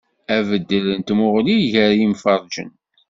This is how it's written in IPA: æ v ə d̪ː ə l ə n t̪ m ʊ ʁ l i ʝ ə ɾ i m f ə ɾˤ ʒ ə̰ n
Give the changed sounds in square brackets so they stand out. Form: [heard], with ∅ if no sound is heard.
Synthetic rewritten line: æ v ə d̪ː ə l ə n t̪ m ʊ ʁ l i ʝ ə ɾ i m f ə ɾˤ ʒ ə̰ n

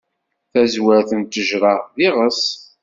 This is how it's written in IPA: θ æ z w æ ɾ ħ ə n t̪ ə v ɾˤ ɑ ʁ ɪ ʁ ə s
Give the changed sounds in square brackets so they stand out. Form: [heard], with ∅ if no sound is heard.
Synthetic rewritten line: θ æ z w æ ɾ [θ] ə n t̪ ə [ʒ] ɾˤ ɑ [ð] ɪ ʁ ə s

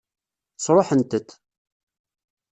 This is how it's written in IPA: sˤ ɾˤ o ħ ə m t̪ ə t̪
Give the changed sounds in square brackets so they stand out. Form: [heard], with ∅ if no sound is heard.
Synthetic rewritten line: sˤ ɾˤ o ħ ə [n] t̪ ə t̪

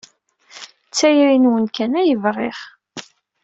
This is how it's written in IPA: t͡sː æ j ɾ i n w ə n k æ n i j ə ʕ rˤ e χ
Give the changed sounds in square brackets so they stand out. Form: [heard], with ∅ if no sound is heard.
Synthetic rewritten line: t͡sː æ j ɾ i n w ə n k æ n [æ] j ə [v] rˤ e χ

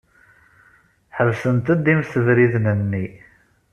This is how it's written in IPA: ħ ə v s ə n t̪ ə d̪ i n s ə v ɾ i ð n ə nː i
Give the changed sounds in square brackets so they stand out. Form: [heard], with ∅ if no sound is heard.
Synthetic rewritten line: ħ ə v s ə n t̪ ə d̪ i [m] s ə v ɾ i ð n ə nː i

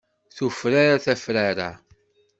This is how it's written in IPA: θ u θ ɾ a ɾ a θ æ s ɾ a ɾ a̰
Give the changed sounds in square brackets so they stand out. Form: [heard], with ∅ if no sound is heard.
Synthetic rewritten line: θ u [f] ɾ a ɾ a θ æ [f] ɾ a ɾ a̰

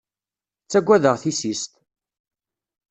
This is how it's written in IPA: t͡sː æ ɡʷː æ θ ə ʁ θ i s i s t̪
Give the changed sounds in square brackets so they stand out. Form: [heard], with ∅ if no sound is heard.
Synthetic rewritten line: t͡sː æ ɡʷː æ [ð] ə ʁ θ i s i s t̪

